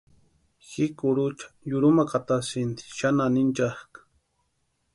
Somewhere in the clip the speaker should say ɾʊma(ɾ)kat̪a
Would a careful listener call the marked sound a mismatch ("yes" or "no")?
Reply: yes